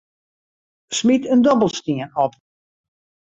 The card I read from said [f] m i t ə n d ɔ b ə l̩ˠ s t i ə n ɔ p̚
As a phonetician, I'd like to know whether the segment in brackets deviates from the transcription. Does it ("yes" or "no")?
yes